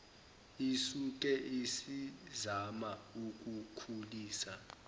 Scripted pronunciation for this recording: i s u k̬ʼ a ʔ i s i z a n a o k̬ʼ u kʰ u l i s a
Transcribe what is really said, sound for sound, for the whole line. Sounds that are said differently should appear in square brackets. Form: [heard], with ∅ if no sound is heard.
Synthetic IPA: i s u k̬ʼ [ɛ] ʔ i s i z a [m] a [u] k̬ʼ u kʰ u l [iː] s a